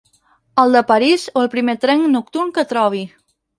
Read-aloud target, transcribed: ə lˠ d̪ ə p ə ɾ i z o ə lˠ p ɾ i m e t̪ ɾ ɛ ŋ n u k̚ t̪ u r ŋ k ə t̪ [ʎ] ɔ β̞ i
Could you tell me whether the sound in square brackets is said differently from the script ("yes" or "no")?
yes